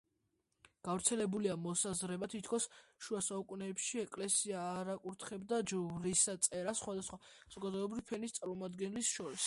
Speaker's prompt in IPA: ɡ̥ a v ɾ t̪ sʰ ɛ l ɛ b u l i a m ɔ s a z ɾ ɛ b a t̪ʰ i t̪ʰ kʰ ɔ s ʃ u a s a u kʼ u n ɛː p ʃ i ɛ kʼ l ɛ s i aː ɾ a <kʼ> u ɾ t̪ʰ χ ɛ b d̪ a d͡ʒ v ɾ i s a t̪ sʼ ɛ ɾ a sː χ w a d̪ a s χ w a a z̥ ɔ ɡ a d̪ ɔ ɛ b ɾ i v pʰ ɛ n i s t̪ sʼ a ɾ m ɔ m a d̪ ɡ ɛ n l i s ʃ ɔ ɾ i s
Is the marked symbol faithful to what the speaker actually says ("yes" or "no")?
yes